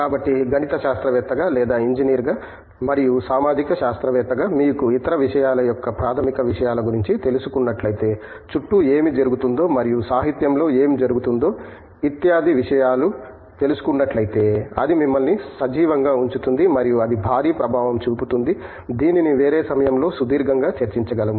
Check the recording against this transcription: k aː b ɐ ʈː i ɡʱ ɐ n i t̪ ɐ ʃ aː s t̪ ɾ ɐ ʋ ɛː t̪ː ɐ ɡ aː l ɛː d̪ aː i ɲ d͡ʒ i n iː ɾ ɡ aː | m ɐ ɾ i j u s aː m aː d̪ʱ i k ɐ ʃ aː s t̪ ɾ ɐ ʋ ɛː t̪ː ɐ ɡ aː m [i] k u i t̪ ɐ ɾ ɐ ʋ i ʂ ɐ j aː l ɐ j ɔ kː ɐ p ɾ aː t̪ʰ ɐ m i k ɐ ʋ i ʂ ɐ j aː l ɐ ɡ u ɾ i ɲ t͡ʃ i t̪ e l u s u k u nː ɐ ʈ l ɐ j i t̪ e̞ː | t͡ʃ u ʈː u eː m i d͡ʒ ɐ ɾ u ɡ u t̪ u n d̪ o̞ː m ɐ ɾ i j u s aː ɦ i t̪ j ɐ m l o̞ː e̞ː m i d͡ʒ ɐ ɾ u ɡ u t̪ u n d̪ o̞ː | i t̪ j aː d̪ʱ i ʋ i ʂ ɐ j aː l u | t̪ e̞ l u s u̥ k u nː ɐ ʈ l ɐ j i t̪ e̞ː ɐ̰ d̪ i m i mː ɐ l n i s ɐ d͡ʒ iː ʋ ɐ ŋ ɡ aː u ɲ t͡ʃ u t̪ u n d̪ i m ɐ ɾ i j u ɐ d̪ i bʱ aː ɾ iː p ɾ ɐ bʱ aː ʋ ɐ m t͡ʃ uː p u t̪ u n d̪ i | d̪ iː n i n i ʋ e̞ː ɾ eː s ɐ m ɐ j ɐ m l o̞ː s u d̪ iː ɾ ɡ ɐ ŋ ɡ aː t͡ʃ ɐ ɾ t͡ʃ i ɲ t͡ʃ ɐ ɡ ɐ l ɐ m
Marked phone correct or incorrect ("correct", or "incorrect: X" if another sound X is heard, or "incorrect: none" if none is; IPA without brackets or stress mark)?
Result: incorrect: iː